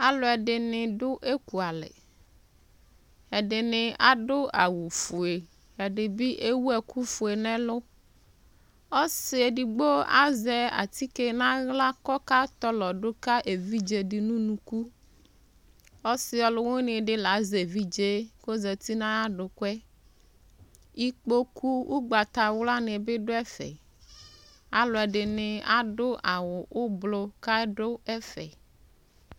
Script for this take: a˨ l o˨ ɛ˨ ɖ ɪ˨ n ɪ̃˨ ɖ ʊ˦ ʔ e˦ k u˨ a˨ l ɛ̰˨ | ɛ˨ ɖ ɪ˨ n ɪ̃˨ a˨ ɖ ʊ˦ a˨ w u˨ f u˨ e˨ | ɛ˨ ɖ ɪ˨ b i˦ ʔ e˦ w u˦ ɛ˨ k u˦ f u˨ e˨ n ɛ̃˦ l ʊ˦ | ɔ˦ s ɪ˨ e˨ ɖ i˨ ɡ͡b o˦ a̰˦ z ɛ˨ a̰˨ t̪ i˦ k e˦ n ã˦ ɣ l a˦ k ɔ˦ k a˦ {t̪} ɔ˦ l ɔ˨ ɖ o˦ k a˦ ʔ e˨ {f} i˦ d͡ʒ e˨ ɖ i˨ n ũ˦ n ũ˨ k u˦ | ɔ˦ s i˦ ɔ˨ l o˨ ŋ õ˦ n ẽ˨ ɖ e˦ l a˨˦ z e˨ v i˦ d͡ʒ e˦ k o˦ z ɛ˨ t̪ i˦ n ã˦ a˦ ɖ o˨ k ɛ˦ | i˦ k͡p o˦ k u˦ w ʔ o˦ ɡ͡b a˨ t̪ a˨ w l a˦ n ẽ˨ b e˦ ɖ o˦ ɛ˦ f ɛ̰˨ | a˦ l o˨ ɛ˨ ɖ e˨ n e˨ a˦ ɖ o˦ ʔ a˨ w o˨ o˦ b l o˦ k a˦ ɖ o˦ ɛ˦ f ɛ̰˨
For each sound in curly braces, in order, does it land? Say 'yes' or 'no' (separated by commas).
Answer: yes, no